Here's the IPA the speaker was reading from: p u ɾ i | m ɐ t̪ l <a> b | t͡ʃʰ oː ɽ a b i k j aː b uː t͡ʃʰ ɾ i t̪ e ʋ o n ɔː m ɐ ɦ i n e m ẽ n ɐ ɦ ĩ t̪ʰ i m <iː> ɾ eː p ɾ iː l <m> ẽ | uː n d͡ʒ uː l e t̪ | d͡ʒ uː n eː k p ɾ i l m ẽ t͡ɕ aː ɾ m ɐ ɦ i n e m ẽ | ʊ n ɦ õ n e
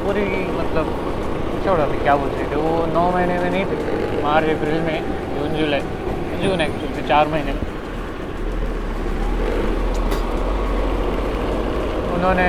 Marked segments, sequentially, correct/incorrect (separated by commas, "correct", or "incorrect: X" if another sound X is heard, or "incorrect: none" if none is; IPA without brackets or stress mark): incorrect: ə, incorrect: aː, correct